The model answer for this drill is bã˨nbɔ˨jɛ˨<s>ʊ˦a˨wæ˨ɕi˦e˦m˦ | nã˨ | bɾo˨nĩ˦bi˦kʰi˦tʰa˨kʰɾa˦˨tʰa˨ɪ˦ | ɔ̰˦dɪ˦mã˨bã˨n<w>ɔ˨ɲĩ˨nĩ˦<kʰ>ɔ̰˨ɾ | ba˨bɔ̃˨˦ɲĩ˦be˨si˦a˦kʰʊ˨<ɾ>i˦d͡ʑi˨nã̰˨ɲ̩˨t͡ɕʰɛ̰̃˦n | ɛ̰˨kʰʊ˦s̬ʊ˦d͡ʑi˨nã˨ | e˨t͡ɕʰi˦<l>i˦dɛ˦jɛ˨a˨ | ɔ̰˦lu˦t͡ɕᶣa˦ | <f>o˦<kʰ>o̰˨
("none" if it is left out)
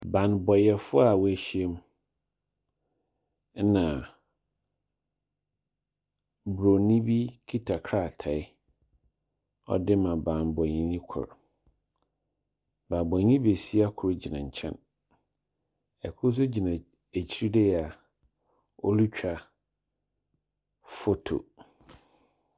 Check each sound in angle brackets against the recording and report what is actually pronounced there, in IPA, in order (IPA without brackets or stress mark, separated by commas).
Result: f, b, kʰ, ɾ, ɾ, f, tʰ